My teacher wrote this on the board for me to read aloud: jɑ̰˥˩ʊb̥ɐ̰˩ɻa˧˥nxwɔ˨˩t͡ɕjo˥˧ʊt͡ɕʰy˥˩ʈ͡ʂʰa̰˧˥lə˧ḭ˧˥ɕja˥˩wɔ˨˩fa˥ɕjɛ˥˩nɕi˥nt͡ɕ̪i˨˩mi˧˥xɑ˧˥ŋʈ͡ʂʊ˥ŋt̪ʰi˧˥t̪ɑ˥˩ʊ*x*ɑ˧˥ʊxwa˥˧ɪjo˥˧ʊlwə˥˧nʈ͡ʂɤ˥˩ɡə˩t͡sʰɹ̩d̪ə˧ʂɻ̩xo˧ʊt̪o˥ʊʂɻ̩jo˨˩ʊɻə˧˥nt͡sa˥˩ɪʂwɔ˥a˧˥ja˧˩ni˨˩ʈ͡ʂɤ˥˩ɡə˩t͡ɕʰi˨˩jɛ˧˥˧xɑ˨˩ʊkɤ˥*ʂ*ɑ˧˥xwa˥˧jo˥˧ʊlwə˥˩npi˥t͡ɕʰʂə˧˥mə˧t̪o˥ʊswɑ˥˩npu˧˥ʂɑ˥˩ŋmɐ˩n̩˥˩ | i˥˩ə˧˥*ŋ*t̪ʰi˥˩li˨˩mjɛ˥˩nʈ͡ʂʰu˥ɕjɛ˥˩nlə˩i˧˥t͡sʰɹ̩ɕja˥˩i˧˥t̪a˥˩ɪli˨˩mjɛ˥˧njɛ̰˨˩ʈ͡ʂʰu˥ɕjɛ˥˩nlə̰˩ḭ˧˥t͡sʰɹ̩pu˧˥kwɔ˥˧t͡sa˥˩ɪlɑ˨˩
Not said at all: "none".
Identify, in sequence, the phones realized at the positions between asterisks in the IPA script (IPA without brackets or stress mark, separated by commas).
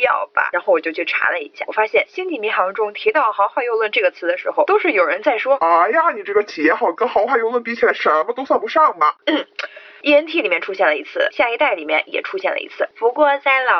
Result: x, x, n